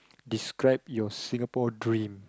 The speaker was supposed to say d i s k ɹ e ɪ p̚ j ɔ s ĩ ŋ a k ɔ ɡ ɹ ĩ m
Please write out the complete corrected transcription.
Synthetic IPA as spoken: d i s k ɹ a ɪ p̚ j ɔ s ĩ ŋ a p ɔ d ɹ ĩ m